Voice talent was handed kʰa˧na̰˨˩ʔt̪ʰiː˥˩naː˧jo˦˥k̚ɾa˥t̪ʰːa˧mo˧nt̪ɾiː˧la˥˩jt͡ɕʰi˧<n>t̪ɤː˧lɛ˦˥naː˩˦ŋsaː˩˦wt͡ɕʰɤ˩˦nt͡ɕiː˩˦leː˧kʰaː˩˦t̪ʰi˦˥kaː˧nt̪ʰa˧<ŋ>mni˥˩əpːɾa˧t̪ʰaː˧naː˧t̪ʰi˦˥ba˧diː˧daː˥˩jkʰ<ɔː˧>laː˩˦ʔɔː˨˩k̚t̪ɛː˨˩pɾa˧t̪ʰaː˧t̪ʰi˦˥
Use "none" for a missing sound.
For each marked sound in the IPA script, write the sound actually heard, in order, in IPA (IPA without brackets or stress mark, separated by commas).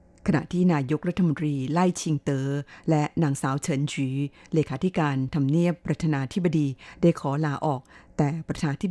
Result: ŋ, none, ɔː˩˦